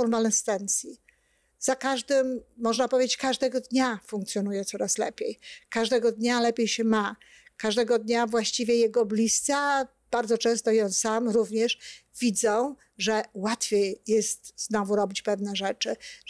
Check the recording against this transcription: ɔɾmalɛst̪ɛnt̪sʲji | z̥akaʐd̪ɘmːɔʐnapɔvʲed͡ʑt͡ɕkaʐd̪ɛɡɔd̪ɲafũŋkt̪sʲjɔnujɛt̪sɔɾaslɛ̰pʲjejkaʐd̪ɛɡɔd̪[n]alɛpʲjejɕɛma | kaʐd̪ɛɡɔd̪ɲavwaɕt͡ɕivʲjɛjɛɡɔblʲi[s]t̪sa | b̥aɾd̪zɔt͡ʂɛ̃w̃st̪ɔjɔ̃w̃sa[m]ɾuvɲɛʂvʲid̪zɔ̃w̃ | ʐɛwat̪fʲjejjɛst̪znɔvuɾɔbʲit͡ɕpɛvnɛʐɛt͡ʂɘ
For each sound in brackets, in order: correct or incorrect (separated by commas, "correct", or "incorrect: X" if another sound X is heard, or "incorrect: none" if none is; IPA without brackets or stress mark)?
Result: incorrect: ɲ, correct, correct